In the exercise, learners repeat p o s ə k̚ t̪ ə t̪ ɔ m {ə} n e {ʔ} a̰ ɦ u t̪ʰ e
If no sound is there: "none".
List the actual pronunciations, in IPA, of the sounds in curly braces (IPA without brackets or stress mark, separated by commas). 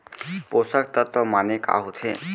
a, k